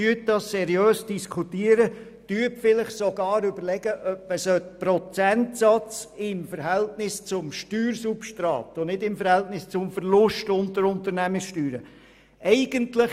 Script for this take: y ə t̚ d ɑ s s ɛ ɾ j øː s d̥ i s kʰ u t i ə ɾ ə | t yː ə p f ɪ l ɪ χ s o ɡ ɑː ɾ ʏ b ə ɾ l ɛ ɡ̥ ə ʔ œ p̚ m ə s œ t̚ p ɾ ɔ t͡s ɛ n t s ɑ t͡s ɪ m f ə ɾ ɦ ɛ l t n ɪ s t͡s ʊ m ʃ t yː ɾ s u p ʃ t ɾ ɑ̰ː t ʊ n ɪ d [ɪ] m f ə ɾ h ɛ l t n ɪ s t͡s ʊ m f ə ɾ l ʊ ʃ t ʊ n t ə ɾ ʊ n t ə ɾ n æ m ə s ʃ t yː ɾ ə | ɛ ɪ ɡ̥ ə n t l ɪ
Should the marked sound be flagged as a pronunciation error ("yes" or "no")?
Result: no